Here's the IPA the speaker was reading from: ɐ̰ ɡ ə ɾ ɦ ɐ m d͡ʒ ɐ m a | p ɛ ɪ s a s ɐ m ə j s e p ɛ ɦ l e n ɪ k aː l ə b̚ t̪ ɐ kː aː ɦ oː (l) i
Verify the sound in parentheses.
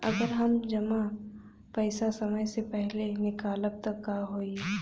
incorrect: none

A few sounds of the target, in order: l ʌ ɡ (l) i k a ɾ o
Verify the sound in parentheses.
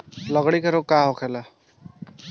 incorrect: ɽ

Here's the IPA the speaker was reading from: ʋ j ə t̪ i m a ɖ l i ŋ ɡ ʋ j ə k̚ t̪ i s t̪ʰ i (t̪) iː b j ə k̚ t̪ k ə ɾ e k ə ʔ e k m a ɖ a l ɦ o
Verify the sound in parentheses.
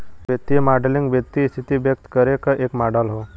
correct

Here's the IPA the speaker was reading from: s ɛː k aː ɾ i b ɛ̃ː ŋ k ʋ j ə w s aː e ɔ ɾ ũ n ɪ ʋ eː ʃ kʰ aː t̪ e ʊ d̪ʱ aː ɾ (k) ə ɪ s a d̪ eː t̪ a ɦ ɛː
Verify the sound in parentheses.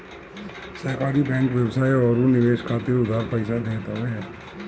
incorrect: p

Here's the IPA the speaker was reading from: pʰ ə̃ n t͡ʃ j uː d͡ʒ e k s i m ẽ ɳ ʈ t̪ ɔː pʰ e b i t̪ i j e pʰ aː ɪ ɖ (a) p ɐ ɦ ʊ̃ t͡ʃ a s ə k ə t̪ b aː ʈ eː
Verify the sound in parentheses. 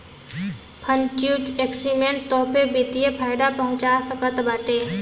correct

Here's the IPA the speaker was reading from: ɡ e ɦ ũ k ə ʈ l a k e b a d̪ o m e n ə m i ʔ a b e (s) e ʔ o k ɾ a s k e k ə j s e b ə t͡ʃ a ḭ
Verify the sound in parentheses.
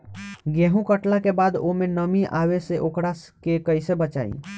correct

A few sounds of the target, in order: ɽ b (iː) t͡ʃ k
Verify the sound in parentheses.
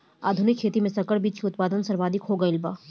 correct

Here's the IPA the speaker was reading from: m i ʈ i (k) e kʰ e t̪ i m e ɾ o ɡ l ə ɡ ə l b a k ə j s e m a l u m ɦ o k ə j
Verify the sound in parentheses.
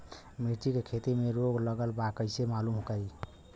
correct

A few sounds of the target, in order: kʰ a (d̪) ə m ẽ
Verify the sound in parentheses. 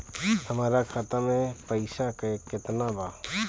incorrect: t̪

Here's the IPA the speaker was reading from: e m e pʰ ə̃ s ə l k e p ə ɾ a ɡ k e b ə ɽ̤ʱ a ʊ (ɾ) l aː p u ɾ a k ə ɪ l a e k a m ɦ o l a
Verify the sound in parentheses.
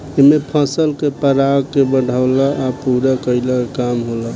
incorrect: none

